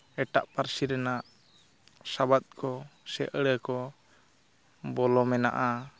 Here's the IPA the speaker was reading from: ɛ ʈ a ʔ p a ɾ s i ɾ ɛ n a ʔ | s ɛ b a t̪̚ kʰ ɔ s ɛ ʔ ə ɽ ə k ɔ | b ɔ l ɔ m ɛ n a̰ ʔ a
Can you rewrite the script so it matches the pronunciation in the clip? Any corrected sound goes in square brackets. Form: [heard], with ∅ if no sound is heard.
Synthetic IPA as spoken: ɛ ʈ a ʔ p a ɾ s i ɾ ɛ n a ʔ | s [a] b a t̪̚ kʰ ɔ s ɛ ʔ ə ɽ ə k ɔ | b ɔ l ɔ m ɛ n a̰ ʔ a